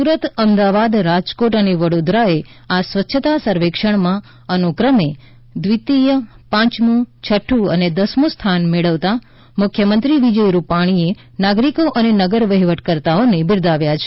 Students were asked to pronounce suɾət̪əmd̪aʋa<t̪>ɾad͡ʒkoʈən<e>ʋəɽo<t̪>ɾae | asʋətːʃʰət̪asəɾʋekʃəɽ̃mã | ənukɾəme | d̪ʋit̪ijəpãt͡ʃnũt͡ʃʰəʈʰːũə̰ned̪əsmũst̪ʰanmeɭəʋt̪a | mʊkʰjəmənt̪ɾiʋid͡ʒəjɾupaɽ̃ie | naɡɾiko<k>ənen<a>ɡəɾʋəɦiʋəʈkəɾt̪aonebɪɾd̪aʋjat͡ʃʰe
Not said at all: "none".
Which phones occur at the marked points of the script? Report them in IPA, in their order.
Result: d̪, e, d̪, ʔ, ə

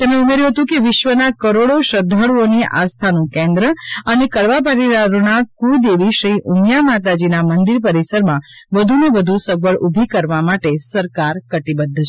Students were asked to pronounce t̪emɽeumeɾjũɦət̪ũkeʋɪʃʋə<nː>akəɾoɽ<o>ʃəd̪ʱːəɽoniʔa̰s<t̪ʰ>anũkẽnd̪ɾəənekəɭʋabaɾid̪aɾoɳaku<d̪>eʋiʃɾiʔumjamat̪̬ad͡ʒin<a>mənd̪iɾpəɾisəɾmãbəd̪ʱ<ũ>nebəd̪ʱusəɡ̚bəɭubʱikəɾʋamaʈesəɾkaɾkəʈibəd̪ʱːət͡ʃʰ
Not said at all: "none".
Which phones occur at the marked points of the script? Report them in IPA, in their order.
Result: n, o, t̪ʰ, d̪, a, u

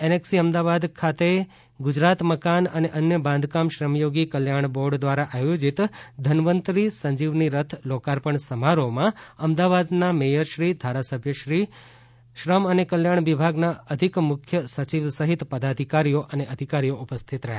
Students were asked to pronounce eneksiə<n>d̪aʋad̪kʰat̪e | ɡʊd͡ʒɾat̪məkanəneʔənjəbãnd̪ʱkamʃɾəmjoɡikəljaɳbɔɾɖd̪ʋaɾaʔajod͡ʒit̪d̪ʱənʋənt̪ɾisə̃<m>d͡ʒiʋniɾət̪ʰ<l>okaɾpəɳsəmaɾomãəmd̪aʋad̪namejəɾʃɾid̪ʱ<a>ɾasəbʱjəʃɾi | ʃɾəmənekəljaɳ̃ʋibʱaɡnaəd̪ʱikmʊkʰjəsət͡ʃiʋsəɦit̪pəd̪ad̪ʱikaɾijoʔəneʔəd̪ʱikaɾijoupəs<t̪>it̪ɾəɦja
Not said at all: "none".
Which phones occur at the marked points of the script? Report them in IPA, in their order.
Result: m, ɲ, l, a, t̪ʰ

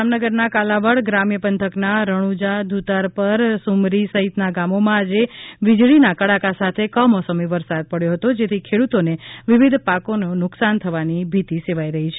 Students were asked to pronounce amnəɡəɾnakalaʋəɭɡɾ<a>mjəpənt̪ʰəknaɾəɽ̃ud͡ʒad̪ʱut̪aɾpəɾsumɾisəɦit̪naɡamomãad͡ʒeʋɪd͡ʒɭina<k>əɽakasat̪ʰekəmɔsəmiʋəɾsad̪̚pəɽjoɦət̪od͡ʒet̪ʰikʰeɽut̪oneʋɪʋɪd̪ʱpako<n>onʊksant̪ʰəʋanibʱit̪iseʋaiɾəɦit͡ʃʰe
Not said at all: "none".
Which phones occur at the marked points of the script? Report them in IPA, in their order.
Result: a, k, n

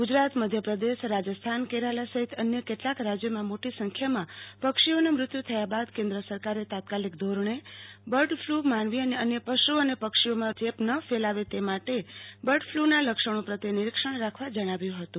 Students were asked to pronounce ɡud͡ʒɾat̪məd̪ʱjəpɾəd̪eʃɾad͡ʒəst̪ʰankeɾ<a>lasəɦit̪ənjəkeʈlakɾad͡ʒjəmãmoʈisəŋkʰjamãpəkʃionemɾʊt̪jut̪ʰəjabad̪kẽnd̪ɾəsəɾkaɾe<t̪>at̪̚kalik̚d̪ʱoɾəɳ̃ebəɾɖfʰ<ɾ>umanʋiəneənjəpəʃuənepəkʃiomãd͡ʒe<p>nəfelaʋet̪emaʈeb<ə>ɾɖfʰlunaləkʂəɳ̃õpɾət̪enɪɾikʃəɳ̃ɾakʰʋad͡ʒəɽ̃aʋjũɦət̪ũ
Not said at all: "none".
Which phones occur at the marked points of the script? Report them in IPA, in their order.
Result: a, t̪, l, p, ə

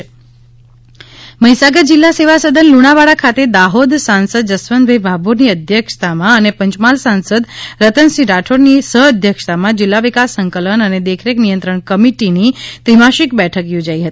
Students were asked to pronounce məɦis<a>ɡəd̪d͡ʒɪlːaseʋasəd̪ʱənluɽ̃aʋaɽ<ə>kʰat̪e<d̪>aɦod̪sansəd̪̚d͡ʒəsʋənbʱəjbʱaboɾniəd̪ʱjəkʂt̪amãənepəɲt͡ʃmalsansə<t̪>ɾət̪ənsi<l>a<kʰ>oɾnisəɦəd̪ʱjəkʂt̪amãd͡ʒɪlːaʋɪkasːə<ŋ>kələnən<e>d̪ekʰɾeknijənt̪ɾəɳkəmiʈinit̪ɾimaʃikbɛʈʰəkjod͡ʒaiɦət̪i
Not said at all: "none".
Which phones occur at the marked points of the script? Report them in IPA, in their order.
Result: a, a, d̪, d̪, ɾ, ʈʰ, ŋ, e

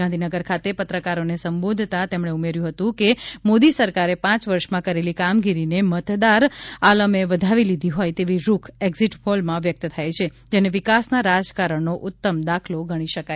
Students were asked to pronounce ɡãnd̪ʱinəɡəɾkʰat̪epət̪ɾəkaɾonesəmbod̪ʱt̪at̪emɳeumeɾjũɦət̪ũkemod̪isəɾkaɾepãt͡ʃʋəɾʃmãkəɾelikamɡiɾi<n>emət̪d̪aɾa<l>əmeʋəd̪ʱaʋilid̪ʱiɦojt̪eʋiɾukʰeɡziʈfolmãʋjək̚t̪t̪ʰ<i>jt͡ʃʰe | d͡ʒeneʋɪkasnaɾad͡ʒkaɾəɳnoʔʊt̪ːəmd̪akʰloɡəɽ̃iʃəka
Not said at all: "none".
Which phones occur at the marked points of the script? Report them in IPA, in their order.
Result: n, l, a

